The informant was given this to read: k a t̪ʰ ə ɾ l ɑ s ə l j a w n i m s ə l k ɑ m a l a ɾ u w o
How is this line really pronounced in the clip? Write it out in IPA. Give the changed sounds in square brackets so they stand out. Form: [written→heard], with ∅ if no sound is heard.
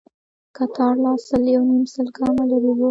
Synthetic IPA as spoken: k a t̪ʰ [ə→ɑ] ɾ l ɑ s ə l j a w n i m s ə l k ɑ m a l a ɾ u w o

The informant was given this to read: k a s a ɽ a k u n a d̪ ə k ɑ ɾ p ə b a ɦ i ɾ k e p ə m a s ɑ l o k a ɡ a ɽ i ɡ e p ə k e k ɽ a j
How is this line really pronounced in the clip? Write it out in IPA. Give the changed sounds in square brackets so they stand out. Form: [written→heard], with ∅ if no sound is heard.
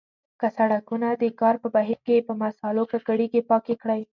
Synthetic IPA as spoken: k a s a ɽ a k u n a d̪ ə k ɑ ɾ p ə b a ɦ i ɾ k e p ə m a s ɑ l o k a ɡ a ɽ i ɡ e p [ə→ɑ] k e k ɽ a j

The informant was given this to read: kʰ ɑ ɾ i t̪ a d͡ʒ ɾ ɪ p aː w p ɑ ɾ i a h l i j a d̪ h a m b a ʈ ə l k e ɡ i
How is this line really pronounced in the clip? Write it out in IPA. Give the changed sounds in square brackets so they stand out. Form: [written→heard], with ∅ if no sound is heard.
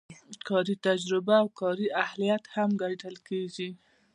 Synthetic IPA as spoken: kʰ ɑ ɾ i t̪ a d͡ʒ ɾ ɪ [p→b] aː w [p→k] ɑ ɾ i a h l i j a [d̪→t̪] h a m [b→ɡ] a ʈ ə l k e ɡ i

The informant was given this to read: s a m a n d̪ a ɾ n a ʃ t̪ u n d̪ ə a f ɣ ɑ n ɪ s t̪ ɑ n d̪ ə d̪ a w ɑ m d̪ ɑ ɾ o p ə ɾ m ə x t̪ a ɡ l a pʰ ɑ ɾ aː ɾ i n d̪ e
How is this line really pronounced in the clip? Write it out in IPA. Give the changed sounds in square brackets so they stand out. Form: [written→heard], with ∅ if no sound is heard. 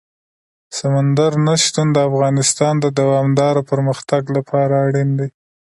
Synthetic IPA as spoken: s a m a n d̪ a ɾ n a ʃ t̪ u n d̪ ə a f ɣ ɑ n ɪ s t̪ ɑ n d̪ ə d̪ a w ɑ m d̪ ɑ ɾ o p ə ɾ m ə x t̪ a ɡ l a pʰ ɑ ɾ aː [ɾ→ɽ] i n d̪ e

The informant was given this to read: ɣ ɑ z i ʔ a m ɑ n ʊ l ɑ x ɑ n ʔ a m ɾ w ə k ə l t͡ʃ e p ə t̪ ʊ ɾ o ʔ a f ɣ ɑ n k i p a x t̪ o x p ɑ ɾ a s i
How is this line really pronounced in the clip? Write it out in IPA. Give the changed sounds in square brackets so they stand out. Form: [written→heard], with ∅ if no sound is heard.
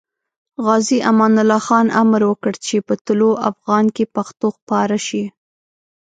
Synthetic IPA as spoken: ɣ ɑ z i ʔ a m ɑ n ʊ l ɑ x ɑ n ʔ a m ɾ w ə k ə [l→ɽ] t͡ʃ e p ə t̪ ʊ [ɾ→l] o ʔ a f ɣ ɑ n k [i→e] p a x t̪ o x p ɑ ɾ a [s→ʃ] i

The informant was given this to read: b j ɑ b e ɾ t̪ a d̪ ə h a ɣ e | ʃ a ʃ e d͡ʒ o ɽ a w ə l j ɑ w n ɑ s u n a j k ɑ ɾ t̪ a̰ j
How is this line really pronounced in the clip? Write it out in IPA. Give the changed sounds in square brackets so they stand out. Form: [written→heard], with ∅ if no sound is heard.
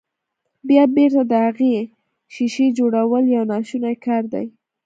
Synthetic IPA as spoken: b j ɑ b e ɾ t̪ a d̪ ə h a ɣ e | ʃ [a→i] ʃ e d͡ʒ o ɽ a w ə l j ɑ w n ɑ [s→ʃ] u n a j k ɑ ɾ [t̪→d̪] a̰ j

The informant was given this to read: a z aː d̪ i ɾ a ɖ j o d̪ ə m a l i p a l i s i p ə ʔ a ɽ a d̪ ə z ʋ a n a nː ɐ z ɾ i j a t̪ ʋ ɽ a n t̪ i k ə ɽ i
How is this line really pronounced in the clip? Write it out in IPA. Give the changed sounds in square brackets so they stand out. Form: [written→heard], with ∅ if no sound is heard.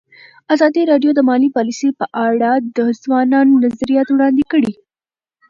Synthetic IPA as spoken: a z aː d̪ i ɾ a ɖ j o d̪ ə m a l i p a l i s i p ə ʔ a ɽ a d̪ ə z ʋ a n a nː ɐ z ɾ i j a t̪ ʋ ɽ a n [t̪→d̪] i k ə ɽ i

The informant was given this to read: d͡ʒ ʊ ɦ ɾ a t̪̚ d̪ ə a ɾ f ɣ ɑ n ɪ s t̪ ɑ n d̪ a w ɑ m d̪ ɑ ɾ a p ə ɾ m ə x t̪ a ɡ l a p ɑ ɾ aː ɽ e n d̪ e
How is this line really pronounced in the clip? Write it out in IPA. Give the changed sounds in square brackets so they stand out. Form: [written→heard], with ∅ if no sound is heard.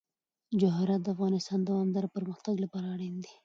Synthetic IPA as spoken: d͡ʒ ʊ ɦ ɾ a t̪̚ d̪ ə a [ɾ→∅] f ɣ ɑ n ɪ s t̪ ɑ n d̪ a w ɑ m d̪ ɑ ɾ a p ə ɾ m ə x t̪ a ɡ l a p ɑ ɾ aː ɽ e n d̪ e

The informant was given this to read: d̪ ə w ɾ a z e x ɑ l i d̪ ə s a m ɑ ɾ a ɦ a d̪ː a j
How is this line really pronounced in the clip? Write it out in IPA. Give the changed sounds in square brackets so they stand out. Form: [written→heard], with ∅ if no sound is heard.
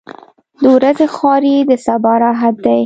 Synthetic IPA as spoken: d̪ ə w ɾ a z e x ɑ [l→ɾ] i d̪ ə s a [m→b] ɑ ɾ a ɦ a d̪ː a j

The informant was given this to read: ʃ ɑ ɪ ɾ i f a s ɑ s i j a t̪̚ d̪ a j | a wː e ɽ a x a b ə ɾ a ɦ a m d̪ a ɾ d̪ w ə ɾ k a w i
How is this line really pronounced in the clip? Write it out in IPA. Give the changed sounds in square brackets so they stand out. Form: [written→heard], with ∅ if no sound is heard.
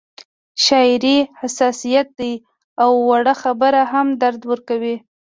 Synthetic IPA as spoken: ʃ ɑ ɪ ɾ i [f→h] a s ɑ s i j a t̪̚ d̪ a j | a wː [e→a] ɽ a x a b ə ɾ a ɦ a m d̪ a ɾ d̪ w ə ɾ k a w i

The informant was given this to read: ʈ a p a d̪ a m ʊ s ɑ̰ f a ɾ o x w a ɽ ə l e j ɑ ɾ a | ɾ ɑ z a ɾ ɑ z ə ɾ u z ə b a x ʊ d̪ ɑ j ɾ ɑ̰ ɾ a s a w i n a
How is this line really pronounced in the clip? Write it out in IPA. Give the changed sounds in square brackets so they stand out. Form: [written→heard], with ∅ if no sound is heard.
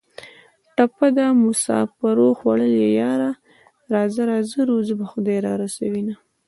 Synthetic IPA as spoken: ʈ a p a d̪ a m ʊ s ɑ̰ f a ɾ o x w a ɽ ə l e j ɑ ɾ a | ɾ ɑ z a ɾ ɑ z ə ɾ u z ə b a x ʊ d̪ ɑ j ɾ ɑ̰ ɾ a s a w i n a

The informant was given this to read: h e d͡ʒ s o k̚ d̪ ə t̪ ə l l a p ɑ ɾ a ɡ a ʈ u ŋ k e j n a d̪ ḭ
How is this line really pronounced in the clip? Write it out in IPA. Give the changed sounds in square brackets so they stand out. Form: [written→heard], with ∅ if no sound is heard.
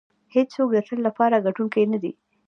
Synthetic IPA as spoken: h e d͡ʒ s o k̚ d̪ ə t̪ ə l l a p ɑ ɾ a ɡ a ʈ u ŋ k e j n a d̪ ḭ

